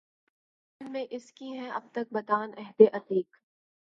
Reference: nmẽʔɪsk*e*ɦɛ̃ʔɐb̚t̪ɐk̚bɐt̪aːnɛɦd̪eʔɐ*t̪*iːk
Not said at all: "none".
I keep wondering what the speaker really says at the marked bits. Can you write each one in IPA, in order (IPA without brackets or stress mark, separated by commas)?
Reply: i, t̪